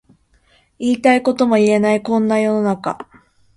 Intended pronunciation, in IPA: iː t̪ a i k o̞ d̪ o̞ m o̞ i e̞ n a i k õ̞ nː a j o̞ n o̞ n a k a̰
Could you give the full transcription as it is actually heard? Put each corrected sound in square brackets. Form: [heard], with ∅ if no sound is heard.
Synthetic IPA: iː t̪ a i k o̞ [t̪] o̞ m o̞ i e̞ n a i k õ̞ nː a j o̞ n o̞ n a k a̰